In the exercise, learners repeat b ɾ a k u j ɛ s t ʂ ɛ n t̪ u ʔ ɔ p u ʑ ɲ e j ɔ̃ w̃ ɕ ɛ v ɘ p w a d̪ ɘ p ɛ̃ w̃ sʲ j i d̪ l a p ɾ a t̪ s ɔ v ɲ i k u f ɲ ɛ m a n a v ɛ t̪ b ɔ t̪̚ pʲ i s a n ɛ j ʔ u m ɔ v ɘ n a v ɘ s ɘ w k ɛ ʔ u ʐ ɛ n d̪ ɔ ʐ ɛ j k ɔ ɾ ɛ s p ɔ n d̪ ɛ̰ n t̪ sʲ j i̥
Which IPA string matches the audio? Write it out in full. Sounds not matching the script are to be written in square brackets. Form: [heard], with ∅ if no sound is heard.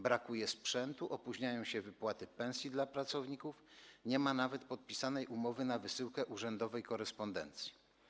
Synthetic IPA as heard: b ɾ a k u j ɛ s [p] ʂ ɛ n t̪ u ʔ ɔ p u ʑ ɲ [a] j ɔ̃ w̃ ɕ ɛ v ɘ p w a [t̪] ɘ p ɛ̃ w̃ sʲ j i d̪ l a p ɾ a t̪ s ɔ v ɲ i k u f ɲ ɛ m a n a v ɛ t̪ [p] ɔ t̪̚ pʲ i s a n ɛ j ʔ u m ɔ v ɘ n a v ɘ s ɘ w k ɛ ʔ u ʐ ɛ n d̪ ɔ [v] ɛ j k ɔ ɾ ɛ s p ɔ n d̪ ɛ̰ n t̪ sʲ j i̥